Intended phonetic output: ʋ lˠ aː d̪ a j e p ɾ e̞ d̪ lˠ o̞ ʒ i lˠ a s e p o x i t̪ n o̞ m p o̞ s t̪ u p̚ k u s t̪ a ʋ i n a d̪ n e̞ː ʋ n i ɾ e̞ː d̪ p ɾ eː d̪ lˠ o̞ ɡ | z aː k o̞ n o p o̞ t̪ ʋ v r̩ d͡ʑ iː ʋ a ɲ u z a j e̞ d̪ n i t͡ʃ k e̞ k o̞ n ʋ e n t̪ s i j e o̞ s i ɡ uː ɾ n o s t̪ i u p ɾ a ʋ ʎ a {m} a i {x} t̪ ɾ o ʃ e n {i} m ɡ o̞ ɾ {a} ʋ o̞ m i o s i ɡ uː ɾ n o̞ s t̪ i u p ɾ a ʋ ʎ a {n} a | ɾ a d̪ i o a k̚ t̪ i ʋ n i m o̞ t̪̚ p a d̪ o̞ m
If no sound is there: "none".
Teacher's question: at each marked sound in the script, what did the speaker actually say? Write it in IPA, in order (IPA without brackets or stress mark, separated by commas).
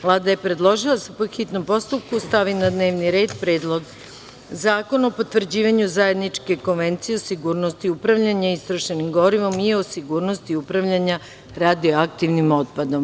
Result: ɲ, s, i, i, ɲ